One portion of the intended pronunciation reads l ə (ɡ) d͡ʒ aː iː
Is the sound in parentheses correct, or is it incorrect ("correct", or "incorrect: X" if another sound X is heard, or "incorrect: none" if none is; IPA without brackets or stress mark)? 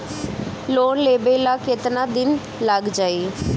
correct